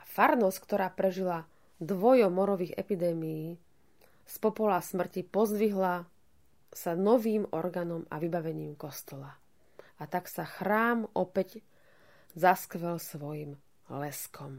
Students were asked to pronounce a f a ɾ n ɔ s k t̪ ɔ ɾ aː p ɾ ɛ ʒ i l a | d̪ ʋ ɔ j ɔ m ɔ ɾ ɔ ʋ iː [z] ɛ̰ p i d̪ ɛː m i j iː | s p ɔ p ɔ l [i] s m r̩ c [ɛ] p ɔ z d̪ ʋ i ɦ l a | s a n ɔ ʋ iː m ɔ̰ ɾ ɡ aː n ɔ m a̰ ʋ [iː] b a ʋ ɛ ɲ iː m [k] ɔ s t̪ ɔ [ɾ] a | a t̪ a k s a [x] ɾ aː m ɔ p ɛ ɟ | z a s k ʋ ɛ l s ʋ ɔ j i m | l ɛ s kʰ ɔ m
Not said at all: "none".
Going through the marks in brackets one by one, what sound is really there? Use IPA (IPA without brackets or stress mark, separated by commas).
ɣ, a, i, i, k, l, x